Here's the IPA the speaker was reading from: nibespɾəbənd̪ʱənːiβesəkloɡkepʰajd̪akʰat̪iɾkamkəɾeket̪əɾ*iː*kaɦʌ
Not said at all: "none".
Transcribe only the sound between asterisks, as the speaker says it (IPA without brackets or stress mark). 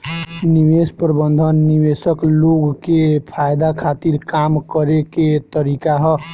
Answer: i